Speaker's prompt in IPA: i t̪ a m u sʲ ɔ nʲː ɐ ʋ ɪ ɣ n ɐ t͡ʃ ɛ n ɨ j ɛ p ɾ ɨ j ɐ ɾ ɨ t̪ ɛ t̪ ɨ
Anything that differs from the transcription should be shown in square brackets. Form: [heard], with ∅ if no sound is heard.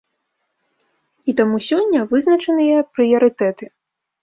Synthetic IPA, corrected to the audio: i t̪ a m u sʲ ɔ nʲː ɐ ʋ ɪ [z] n ɐ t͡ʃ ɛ n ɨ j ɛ p ɾ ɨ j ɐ ɾ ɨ t̪ ɛ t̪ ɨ